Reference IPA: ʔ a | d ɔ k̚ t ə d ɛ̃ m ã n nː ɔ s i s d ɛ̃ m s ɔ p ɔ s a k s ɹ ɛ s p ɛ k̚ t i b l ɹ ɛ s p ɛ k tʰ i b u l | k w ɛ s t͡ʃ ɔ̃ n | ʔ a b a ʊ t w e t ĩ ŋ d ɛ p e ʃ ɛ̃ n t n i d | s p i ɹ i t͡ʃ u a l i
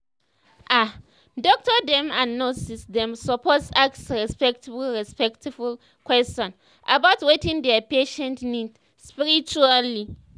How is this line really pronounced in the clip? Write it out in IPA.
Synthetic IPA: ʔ a | d ɔ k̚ t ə d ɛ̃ m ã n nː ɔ s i s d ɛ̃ m s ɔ p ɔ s a k s ɹ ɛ s p ɛ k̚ t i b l ɹ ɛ s p ɛ k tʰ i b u l | k w ɛ s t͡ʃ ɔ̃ n | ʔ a b a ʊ t w e t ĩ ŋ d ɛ p e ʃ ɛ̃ n t n i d | s p i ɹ i t͡ʃ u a l i

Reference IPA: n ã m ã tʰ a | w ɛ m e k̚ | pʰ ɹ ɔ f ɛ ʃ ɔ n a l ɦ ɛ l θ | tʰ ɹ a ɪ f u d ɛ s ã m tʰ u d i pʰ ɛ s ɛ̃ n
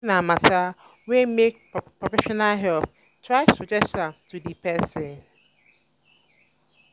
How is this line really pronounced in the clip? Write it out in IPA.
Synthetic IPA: n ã m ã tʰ a | w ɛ m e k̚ | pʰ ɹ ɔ f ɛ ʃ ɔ n a l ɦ ɛ l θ | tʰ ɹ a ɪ s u d͡ʒ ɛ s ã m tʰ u d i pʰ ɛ s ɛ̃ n

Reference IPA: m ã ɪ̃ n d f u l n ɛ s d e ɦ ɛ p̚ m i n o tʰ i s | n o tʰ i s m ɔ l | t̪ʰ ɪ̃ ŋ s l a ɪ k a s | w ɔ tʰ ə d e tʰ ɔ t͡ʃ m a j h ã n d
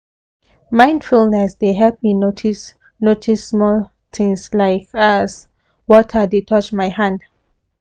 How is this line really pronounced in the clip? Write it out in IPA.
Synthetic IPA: m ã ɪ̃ n d f u l n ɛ s d e ɦ ɛ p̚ m i n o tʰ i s | n o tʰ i s m ɔ l | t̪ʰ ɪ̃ ŋ s l a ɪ k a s | w ɔ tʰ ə d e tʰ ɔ t͡ʃ m a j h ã n d

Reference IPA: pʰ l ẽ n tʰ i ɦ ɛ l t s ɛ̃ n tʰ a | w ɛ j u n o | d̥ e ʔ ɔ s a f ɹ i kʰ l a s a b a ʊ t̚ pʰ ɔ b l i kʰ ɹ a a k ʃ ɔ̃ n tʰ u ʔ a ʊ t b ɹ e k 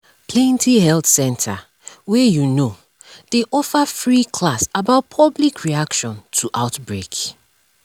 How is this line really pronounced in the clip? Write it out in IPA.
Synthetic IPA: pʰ l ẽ n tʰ i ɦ ɛ l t s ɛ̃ n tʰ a | w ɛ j u n o | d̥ e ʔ ɔ f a f ɹ i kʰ l a s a b a ʊ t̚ pʰ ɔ b l i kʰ ɹ i a k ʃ ɔ̃ n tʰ u ʔ a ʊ t b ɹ e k

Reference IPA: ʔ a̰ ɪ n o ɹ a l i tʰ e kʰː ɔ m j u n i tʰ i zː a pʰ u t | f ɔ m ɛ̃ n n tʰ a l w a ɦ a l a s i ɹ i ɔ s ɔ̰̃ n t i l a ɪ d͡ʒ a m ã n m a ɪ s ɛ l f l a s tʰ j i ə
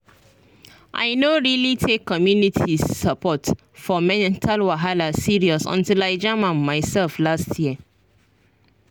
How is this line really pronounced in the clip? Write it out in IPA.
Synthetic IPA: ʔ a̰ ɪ n o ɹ i l i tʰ e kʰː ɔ m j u n i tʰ i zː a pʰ ɔ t | f ɔ m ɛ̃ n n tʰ a l w a ɦ a l a s i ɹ i ɔ s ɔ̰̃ n t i l a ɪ d͡ʒ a m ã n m a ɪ s ɛ l f l a s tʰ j i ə

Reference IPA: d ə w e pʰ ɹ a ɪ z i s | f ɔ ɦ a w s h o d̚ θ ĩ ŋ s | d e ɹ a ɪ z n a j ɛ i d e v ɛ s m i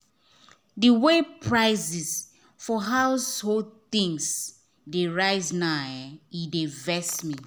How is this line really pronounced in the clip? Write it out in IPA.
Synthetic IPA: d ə w e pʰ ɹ a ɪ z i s | f ɔ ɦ a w s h o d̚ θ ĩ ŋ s | d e ɹ a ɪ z n a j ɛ i d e v ɛ s m i

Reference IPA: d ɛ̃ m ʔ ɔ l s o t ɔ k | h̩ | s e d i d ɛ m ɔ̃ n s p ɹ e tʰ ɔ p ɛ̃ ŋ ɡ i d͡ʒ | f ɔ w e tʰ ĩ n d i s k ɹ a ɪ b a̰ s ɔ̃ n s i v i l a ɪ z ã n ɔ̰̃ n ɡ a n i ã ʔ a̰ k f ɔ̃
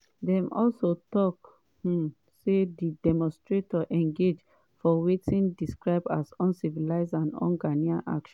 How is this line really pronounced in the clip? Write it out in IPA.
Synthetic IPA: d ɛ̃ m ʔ ɔ l s o t ɔ k | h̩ | s e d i d ɛ m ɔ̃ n s t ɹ e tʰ ɔ ʔ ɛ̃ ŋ ɡ e d͡ʒ | f ɔ w e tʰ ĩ n d i s k ɹ a ɪ b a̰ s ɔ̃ n s i v i l a ɪ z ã n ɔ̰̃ n ɡ a n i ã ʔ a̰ k ʃ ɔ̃

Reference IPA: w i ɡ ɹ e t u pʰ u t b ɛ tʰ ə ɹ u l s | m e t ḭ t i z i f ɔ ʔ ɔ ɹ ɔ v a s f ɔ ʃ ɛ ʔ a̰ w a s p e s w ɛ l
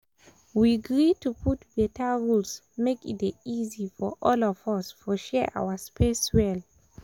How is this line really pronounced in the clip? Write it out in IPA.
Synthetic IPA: w i ɡ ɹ i t u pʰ u t b ɛ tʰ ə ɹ u l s | m e k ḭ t i z i f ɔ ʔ ɔ l ɔ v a s f ɔ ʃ ɛ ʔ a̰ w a s p e s w ɛ l

